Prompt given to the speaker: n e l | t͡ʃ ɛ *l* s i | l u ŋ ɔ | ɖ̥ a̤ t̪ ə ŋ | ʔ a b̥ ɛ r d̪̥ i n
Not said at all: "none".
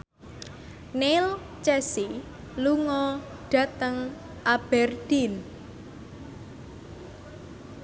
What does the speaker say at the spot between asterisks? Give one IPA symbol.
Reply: none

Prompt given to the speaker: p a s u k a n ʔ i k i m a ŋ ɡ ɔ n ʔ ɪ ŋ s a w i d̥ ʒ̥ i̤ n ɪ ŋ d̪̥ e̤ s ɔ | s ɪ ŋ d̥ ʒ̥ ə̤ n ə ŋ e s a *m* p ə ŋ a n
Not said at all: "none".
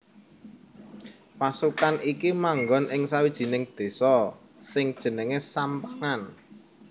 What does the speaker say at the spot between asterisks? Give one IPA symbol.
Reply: m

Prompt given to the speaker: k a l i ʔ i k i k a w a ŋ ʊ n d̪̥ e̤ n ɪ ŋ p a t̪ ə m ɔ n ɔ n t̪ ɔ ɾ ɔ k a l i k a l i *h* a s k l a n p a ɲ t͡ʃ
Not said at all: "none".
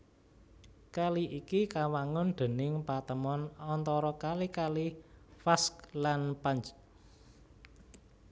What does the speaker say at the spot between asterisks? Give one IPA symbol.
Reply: f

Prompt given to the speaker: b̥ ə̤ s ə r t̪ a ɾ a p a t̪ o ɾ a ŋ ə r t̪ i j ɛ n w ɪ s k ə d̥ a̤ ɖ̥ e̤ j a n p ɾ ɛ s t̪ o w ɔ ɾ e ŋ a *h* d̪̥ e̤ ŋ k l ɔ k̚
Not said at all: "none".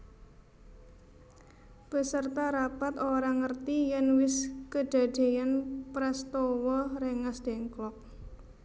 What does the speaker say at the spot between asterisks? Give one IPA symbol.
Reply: s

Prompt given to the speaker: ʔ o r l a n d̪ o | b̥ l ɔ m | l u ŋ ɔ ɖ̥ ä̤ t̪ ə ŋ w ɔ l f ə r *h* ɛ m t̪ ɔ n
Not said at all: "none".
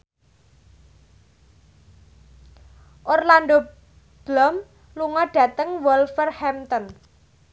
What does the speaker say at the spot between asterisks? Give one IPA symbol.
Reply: h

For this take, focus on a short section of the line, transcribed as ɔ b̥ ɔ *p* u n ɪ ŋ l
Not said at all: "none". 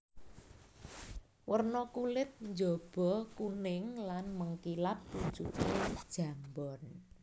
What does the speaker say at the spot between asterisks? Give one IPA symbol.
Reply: k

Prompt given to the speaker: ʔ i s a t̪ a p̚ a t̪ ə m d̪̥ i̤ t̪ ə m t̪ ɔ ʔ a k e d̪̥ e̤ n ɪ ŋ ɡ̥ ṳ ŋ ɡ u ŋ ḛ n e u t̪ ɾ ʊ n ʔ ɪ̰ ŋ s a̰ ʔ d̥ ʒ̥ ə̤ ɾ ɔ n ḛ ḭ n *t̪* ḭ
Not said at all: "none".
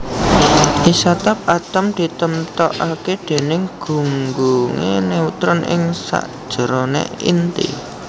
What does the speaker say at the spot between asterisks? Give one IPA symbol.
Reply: t̪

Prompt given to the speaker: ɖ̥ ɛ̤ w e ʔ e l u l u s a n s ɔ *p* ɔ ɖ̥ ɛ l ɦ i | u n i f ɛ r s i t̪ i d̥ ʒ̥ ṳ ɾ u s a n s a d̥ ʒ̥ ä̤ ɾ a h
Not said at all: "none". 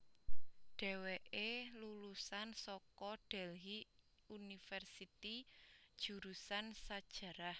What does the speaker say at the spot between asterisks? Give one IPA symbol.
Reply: k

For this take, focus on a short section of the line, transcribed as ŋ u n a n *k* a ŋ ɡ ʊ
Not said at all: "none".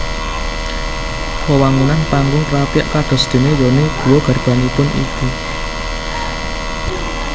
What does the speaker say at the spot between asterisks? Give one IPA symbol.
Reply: p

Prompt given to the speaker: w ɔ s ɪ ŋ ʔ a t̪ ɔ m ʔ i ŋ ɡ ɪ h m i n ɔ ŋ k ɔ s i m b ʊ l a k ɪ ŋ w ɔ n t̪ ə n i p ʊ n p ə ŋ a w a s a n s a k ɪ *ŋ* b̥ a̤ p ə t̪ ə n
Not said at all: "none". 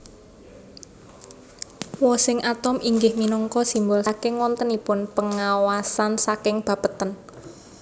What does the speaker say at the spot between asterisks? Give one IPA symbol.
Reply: ŋ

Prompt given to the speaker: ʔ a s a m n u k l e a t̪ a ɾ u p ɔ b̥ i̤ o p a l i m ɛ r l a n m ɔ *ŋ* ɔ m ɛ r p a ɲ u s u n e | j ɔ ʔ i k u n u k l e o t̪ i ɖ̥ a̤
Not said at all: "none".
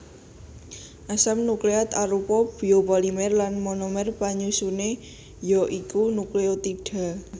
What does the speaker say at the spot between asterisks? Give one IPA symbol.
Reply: n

